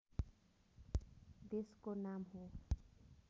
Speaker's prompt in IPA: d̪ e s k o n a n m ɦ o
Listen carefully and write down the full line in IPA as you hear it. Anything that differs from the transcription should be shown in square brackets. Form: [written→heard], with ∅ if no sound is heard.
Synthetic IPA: d̪ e s k o n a [n→∅] m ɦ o